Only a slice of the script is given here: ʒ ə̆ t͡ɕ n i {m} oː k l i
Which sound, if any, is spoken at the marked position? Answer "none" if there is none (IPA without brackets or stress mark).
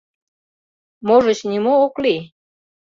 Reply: m